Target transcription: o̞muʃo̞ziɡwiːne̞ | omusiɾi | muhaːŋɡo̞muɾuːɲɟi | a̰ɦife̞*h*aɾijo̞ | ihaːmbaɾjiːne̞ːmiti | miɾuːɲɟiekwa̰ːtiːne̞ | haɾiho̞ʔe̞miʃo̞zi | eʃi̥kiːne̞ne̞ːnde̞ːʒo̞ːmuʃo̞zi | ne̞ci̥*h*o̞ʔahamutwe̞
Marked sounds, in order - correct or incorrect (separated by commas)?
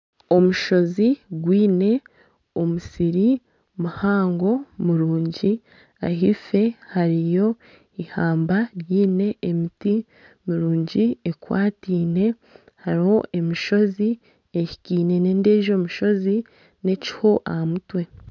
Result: correct, correct